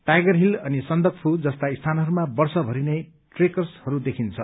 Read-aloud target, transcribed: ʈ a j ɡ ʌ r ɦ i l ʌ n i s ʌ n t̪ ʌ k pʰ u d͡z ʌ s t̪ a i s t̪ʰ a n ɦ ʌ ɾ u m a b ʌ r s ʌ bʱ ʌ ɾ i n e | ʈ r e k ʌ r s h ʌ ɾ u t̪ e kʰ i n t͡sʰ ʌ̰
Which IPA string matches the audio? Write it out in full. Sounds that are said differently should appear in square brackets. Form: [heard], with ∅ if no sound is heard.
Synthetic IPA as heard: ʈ a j ɡ ʌ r ɦ i l ʌ n i s ʌ n [d̪] ʌ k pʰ u d͡z ʌ s t̪ a i s t̪ʰ a n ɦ ʌ ɾ u m a b ʌ r s ʌ bʱ ʌ ɾ i n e | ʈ r e k ʌ r s h ʌ ɾ u [d̪] e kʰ i n t͡sʰ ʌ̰

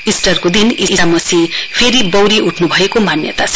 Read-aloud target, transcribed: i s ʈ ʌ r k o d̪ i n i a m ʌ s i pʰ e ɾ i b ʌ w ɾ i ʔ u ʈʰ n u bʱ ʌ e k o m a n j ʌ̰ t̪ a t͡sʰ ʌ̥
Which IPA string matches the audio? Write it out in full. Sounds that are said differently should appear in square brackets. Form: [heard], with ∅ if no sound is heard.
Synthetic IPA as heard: i s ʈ ʌ r k o d̪ i n i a m ʌ s i pʰ e ɾ i b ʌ w ɾ i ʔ u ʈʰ n u bʱ ʌ e k o m a n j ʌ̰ t̪ a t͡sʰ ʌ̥

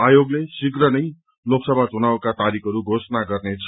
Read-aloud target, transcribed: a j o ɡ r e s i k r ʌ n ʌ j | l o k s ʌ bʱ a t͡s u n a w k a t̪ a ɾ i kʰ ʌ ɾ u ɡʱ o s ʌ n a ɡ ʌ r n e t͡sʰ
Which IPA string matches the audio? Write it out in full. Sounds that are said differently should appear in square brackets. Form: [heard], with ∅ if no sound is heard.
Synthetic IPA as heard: a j o ɡ [l] e s i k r ʌ n ʌ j | l o k s ʌ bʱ a t͡s u n a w k a t̪ a ɾ i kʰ ʌ ɾ u ɡʱ o s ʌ n a ɡ ʌ r n e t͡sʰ

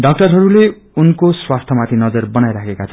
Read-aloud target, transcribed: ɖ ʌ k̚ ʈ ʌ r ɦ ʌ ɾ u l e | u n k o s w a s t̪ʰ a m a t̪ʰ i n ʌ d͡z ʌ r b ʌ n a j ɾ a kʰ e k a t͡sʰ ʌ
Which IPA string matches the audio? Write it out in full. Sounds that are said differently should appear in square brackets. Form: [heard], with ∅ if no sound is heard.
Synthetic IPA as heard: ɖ ʌ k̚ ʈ ʌ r ɦ ʌ ɾ u l e | u n k o s w a s t̪ʰ [ʌ] m a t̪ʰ i n ʌ d͡z ʌ r b ʌ n a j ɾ a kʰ e k a t͡sʰ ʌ

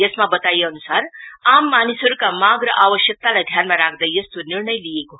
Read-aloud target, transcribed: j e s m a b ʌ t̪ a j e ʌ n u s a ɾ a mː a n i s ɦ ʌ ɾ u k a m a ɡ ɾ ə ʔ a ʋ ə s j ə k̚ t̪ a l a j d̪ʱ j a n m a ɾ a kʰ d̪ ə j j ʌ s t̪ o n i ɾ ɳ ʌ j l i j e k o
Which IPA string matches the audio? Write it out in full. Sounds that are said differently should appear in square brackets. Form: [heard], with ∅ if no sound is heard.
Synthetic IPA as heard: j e s m a b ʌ t̪ a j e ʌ n u s a ɾ a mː a n i s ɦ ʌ ɾ u k a m a ɡ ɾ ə ʔ a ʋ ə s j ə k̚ t̪ a l a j d̪ʱ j a n m a ɾ a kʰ d̪ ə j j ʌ s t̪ o n i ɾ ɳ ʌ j l i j e k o

